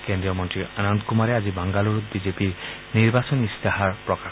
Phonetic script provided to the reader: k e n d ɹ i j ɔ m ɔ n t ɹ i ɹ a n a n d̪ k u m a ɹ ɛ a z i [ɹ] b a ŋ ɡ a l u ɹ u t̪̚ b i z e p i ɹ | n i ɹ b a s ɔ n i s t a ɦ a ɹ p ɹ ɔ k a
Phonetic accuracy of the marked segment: incorrect: none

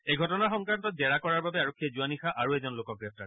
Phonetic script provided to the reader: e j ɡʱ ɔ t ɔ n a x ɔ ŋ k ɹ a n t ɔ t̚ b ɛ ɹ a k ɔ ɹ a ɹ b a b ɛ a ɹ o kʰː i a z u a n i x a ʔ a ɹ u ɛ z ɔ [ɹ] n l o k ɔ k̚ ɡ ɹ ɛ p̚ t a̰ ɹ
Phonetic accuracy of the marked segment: incorrect: none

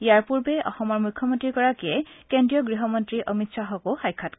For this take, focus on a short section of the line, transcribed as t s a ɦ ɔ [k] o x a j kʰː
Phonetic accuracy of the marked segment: correct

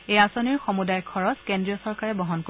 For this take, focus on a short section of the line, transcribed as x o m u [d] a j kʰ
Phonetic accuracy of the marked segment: correct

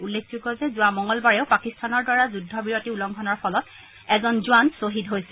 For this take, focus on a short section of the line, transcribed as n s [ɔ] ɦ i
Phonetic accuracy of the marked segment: incorrect: o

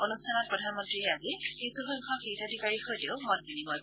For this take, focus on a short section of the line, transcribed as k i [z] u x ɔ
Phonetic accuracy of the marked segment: incorrect: s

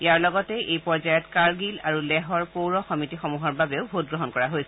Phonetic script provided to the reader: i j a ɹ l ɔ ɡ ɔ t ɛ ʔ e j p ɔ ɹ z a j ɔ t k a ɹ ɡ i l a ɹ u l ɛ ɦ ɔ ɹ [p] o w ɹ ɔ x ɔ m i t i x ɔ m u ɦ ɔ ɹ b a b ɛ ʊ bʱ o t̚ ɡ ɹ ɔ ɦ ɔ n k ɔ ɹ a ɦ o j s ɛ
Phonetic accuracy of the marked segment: correct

